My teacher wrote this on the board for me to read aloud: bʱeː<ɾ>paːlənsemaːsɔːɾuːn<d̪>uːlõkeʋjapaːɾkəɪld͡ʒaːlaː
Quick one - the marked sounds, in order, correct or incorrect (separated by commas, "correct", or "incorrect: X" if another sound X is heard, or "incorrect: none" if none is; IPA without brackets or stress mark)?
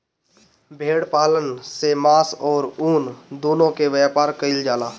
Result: incorrect: ɽ, correct